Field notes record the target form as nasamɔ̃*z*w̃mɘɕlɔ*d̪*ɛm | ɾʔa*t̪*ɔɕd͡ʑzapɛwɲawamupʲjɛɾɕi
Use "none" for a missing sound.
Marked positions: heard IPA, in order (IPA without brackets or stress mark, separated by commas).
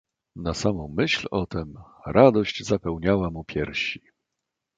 none, t̪, d̪